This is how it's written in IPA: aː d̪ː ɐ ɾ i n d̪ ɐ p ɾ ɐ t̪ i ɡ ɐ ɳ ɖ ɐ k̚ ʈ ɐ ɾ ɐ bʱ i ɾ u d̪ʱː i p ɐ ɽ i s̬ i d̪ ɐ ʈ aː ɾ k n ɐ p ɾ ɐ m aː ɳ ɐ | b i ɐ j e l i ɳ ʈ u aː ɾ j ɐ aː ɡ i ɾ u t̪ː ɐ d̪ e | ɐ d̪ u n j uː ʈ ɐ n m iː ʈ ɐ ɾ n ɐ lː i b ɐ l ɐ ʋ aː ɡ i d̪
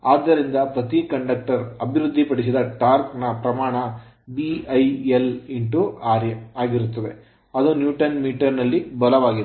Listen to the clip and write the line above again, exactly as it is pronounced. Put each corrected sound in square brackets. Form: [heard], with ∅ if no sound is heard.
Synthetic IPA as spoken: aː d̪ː ɐ ɾ i n d̪ ɐ p ɾ ɐ t̪ i [k] ɐ ɳ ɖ ɐ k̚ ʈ ɐ ɾ ɐ bʱ i ɾ u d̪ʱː i p ɐ ɽ i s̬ i d̪ ɐ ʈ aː ɾ k n ɐ p ɾ ɐ m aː ɳ ɐ | b i ɐ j e l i ɳ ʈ u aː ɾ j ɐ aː ɡ i ɾ u t̪ː ɐ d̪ e | ɐ d̪ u n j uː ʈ ɐ n m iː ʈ ɐ ɾ n ɐ lː i b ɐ l ɐ ʋ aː ɡ i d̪